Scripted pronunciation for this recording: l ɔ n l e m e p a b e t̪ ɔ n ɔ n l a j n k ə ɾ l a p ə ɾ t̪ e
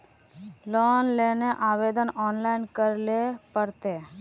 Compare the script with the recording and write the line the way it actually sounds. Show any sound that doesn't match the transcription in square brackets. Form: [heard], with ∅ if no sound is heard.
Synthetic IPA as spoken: l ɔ n l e [n] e [ʔ] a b e [d̪] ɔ n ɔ n l a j n k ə ɾ l [e] p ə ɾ t̪ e

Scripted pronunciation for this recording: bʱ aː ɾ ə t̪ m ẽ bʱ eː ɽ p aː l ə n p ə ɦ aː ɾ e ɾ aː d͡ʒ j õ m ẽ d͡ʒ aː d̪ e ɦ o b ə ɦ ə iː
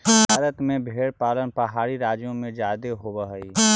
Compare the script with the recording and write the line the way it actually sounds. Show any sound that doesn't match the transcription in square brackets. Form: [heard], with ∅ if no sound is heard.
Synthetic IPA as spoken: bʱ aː ɾ ə t̪ m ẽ bʱ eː ɽ p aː l ə n p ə ɦ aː ɾ [i] ɾ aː d͡ʒ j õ m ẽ d͡ʒ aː d̪ e ɦ o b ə ɦ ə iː

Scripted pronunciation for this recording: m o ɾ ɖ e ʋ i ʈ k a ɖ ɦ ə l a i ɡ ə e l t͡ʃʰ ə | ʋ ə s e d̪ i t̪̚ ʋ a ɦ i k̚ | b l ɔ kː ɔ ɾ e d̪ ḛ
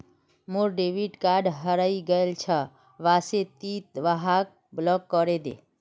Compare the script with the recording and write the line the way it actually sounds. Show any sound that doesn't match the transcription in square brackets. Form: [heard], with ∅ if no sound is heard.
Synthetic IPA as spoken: m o ɾ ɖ e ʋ i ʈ k a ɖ ɦ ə [ɾ] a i ɡ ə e l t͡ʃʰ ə | ʋ [a] s e [t̪] i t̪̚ ʋ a ɦ [a] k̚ | b l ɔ kː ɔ ɾ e d̪ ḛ

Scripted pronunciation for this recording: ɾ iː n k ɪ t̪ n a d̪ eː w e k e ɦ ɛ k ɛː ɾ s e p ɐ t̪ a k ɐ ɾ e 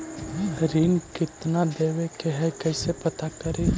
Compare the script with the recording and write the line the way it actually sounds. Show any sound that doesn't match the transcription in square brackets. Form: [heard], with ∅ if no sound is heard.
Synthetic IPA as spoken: ɾ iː n k ɪ t̪ n a d̪ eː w e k e ɦ ɛ k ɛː [∅] s e p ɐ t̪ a k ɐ ɾ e

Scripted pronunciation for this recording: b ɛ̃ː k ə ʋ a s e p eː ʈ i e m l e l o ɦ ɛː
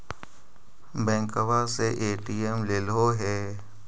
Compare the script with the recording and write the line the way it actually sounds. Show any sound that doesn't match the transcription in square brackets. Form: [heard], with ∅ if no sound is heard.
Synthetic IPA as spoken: b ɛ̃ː k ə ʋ a s e [ʔ] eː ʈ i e m l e l o ɦ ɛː

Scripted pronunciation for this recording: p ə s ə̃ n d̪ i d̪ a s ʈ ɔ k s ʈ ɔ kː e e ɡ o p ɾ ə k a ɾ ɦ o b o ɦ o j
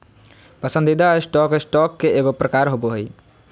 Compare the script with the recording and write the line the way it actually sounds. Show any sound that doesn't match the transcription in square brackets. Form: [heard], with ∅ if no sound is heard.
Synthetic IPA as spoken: p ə s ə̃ n d̪ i d̪ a s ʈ ɔ k s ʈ ɔ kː e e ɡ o p ɾ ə k a ɾ ɦ o b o ɦ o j

